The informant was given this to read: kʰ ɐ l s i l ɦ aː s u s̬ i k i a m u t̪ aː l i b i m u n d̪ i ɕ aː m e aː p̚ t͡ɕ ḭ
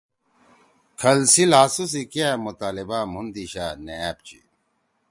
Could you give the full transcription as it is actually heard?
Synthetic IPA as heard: kʰ ɐ l s i l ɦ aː s u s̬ i k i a m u t̪ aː l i b a m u n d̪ i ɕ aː n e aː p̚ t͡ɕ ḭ